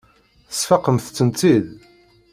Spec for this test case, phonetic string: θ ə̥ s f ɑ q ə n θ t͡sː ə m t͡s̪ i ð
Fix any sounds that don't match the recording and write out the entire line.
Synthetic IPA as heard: θ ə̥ s f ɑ q ə m θ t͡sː ə n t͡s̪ i ð